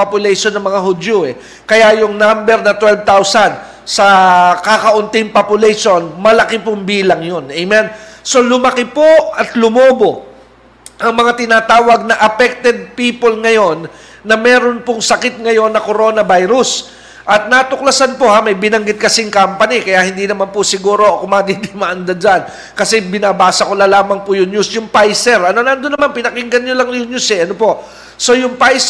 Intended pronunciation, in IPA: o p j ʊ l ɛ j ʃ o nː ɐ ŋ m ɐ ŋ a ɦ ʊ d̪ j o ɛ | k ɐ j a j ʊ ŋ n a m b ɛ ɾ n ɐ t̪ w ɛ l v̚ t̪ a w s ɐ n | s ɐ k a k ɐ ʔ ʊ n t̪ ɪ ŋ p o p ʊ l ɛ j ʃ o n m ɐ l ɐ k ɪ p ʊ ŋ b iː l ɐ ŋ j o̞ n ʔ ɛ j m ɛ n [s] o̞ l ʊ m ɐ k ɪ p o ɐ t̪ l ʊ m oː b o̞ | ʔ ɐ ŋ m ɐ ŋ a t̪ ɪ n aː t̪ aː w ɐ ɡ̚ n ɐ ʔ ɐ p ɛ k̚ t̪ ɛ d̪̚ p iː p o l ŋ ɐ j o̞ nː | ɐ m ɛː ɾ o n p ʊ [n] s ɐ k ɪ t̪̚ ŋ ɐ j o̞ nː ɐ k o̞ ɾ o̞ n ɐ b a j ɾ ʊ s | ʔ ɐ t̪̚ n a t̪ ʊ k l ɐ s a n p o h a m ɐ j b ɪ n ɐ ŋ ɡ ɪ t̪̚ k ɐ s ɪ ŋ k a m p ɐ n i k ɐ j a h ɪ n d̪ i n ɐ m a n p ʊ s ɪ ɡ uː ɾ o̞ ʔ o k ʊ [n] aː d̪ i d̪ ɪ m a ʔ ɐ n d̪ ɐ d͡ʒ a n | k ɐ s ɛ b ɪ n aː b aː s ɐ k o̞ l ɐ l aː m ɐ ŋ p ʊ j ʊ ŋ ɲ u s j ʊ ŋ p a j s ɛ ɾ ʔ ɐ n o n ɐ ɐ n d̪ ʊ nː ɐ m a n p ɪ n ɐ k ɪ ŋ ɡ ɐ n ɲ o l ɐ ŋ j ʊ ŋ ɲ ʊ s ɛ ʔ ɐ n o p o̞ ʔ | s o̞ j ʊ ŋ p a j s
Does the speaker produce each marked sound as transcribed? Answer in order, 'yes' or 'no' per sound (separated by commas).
yes, no, no